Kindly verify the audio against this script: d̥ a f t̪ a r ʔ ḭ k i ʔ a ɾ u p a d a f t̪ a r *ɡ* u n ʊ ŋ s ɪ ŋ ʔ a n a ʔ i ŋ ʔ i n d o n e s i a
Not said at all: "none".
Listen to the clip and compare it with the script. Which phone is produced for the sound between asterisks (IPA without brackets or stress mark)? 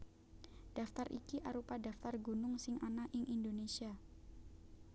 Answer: ɡ